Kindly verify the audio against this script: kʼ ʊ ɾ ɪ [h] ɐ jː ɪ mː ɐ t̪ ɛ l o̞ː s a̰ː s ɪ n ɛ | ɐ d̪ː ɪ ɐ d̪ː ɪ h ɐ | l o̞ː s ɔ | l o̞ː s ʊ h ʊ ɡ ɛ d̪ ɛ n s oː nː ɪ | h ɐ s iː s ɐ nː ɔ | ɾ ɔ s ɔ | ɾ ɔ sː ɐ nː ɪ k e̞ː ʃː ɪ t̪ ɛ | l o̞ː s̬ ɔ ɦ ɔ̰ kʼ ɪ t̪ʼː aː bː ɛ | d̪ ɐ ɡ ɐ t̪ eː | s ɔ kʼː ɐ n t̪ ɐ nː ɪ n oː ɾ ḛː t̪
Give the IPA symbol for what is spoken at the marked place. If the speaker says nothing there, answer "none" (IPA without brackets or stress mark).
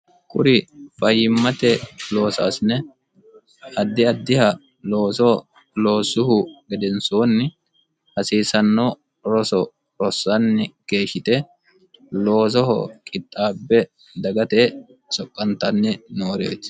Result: f